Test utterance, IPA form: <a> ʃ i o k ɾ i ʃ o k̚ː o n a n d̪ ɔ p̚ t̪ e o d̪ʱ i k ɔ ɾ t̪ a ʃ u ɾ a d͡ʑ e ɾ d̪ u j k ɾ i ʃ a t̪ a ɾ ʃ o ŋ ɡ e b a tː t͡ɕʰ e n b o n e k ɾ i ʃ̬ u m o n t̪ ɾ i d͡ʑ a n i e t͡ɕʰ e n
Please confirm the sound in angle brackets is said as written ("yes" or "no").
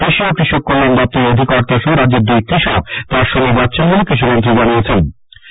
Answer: no